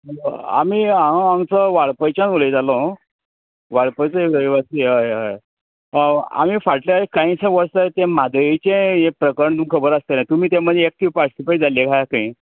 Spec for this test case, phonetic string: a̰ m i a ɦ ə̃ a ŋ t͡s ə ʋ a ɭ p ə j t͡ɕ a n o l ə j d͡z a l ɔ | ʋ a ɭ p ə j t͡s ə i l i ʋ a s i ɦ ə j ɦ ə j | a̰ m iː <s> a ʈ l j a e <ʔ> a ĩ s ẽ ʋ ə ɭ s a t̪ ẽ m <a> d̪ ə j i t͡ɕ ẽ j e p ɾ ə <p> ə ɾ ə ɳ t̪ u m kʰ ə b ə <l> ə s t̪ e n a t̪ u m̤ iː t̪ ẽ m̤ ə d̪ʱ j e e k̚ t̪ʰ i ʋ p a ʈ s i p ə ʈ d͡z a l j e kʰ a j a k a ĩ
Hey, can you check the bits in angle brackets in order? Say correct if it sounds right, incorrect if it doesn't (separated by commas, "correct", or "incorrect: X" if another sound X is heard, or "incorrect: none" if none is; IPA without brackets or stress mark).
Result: incorrect: f, incorrect: k, correct, incorrect: k, incorrect: ɾ